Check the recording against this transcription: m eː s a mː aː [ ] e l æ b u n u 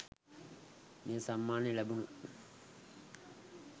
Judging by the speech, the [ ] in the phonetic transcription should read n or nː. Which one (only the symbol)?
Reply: n